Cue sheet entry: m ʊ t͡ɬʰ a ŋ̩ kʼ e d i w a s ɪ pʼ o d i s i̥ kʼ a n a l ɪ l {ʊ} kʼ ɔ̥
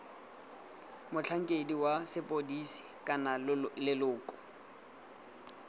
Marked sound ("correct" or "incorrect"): incorrect